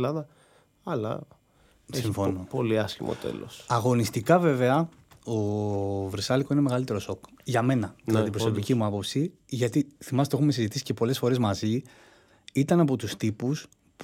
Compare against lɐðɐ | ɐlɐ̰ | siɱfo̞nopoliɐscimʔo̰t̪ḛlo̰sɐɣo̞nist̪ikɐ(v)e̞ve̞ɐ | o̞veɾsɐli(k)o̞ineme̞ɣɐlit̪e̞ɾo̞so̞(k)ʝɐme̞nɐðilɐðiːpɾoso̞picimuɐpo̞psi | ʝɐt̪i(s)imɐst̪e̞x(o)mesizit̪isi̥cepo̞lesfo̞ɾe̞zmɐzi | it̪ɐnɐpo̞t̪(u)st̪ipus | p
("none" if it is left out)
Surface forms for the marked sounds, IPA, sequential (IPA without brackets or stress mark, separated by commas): v, k, k, θ, u, u